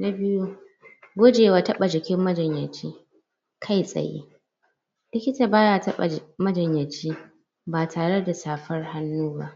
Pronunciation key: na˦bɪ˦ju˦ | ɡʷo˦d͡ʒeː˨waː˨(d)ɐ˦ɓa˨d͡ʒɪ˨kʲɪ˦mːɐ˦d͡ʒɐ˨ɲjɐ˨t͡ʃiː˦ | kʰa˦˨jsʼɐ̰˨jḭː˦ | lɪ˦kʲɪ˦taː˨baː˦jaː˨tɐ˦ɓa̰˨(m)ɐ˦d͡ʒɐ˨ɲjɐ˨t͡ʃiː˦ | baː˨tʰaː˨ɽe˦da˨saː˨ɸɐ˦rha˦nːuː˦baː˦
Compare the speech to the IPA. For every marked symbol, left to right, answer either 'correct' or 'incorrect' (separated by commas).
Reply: incorrect, correct